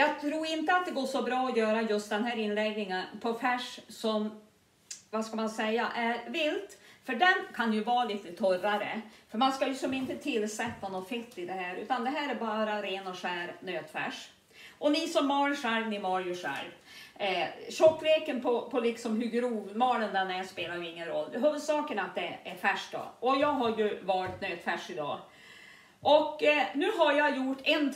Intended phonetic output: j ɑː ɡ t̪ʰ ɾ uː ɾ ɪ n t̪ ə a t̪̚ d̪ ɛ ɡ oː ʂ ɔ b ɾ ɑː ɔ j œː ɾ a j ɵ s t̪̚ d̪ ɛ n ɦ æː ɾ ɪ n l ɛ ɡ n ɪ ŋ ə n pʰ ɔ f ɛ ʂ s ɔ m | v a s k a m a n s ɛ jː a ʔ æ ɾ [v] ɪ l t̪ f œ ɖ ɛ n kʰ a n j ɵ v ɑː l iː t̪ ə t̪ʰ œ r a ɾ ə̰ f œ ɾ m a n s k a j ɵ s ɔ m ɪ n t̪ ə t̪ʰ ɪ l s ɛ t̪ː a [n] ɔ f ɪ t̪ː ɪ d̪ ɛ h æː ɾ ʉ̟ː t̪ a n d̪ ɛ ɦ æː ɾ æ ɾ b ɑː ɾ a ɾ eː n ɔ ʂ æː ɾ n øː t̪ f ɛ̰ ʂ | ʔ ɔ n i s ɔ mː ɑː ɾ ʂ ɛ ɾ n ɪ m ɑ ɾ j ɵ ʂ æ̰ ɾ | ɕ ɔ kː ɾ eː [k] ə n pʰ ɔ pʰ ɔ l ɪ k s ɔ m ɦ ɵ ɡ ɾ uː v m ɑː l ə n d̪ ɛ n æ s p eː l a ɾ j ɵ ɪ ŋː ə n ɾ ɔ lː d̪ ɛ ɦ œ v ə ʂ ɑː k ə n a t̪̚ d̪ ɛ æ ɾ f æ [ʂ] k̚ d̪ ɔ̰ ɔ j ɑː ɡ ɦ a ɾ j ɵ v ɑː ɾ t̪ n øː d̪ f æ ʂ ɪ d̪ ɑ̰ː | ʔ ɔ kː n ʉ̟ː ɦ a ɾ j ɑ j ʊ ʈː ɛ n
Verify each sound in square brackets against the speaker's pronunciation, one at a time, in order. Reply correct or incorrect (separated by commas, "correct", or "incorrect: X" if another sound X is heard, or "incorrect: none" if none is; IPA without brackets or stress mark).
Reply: correct, correct, correct, correct